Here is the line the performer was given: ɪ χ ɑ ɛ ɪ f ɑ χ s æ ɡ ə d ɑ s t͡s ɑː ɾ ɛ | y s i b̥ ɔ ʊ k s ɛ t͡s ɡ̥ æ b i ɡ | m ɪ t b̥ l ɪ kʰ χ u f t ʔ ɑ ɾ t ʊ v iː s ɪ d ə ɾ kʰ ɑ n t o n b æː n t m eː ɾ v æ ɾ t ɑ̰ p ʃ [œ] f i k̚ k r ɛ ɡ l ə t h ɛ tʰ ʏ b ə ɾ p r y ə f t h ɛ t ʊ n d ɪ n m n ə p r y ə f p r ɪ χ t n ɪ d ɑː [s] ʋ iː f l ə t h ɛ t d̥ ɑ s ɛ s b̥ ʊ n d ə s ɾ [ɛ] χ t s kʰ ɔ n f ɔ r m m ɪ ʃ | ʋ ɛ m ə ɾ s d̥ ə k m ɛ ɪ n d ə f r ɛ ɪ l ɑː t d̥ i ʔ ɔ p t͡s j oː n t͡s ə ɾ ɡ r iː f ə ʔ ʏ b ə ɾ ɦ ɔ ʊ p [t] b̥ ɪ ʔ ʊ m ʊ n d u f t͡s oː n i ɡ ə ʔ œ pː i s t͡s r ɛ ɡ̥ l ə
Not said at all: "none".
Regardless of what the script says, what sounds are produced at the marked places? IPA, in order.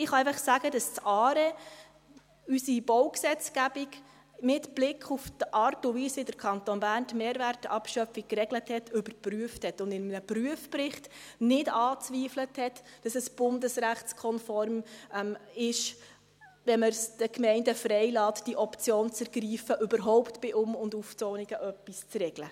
œ, t͡s, æ, t

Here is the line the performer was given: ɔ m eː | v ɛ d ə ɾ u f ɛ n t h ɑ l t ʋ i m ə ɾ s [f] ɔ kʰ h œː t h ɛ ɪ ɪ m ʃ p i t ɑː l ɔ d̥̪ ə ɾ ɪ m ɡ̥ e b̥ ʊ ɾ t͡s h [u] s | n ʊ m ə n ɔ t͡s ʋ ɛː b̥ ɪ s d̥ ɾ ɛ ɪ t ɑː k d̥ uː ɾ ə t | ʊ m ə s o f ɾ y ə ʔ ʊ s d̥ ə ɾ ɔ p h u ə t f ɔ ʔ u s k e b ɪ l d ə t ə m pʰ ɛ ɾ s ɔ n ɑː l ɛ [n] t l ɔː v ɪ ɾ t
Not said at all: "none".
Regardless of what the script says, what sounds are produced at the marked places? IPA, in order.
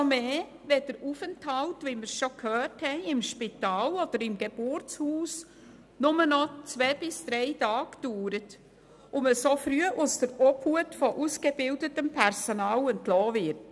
ʃ, uː, n

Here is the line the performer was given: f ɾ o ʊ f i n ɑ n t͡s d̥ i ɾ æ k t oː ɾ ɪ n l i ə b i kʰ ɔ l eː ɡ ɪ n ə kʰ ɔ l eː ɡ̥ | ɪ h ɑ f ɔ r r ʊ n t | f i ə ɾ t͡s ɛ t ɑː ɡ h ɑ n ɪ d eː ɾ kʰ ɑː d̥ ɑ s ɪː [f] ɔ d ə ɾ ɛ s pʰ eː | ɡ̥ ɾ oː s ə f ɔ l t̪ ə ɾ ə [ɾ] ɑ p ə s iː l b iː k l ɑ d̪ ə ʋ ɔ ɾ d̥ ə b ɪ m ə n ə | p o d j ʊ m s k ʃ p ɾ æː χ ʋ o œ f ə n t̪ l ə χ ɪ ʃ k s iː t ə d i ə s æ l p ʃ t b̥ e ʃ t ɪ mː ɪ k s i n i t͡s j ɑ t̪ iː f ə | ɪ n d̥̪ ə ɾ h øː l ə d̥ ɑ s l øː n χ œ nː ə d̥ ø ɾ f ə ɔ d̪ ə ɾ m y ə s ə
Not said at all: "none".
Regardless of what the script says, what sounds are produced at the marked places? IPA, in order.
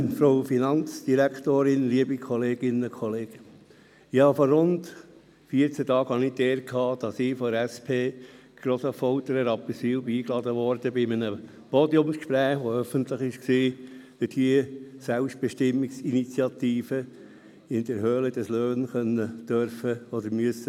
f, ɾ

